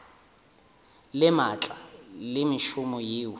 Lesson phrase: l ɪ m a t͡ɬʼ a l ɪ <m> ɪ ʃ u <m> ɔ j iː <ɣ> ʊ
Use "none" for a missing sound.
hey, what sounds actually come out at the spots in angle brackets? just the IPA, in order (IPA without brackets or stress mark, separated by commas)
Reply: m, m, w